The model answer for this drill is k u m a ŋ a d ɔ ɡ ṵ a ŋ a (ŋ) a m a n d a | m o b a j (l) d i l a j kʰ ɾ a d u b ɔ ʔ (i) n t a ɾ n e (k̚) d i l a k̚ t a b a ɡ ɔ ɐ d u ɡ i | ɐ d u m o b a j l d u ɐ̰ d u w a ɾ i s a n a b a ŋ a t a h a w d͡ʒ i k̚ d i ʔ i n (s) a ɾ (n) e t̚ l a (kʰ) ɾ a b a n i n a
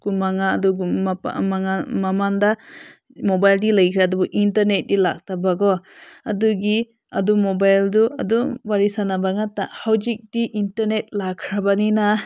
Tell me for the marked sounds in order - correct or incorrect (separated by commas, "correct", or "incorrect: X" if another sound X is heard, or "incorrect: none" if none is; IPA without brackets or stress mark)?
incorrect: m, correct, correct, incorrect: t̚, incorrect: t, correct, correct